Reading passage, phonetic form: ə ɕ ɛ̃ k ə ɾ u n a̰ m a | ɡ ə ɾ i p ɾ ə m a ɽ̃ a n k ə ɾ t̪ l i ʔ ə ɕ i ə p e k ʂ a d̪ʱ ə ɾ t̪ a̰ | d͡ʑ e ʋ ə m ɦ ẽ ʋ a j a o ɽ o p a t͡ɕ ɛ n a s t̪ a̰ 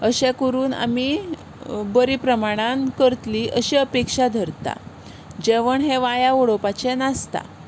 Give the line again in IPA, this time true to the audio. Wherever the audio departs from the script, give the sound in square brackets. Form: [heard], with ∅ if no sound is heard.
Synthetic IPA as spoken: ə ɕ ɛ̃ k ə ɾ [uː] n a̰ m [i] | [b] ə ɾ i p ɾ ə m a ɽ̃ a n k ə ɾ t̪ l i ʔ ə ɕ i ə p e k ʂ a d̪ʱ ə ɾ t̪ a̰ | d͡ʑ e ʋ ə [ɳ] ɦ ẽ ʋ a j a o ɽ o p a t͡ɕ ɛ n a s t̪ a̰